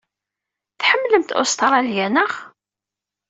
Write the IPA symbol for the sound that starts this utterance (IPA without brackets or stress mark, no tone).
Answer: θ